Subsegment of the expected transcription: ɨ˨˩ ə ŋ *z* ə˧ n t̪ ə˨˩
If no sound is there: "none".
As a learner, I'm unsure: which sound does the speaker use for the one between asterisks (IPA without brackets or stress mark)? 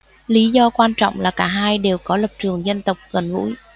z